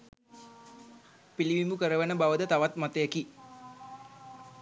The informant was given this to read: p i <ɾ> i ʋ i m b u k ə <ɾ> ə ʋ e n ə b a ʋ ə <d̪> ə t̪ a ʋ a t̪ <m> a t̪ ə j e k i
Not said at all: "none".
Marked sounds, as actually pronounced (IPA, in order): l, ɾ, d̪, m

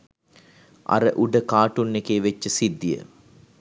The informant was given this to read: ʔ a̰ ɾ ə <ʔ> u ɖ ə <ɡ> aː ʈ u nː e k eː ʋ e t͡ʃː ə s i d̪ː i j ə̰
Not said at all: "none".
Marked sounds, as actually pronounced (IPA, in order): ʔ, k

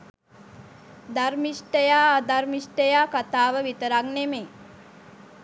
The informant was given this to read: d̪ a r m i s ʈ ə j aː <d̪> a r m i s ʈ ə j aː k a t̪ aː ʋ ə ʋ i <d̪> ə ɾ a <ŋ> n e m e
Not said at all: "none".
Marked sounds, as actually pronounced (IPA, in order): d̪, t̪, ŋ

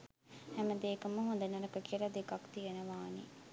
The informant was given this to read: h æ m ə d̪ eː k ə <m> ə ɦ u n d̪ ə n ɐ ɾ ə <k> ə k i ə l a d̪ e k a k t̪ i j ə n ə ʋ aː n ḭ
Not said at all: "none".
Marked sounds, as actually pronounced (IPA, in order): m, k

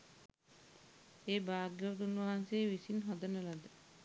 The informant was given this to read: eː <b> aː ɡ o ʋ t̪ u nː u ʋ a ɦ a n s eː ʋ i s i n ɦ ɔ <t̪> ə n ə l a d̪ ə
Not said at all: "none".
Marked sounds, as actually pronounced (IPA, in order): b, d̪

